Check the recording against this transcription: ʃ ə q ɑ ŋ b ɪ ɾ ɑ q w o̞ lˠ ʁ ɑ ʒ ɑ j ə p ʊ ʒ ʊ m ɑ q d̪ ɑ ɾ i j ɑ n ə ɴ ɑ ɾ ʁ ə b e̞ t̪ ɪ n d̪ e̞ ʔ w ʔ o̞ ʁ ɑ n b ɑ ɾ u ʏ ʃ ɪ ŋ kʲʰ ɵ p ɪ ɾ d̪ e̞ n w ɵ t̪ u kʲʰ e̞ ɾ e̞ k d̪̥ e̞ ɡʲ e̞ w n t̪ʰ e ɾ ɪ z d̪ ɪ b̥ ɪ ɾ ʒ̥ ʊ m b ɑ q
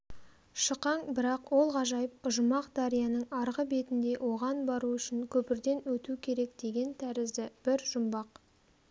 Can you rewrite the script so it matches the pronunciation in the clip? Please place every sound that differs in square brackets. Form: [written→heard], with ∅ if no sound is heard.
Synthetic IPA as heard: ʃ ə q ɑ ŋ b ɪ ɾ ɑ q w o̞ lˠ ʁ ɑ ʒ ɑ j ə p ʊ ʒ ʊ m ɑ q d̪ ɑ ɾ i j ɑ n ə ɴ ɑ ɾ ʁ ə b e̞ t̪ ɪ n d̪ e̞ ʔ w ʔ o̞ ʁ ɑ n b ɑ ɾ u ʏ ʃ ɪ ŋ kʲʰ ɵ p ɪ ɾ d̪ e̞ n w ɵ t̪ u kʲʰ e̞ ɾ e̞ k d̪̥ e̞ ɡʲ e̞ [w→∅] n t̪ʰ [e→æ] ɾ ɪ z d̪ ɪ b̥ ɪ ɾ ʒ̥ ʊ m b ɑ q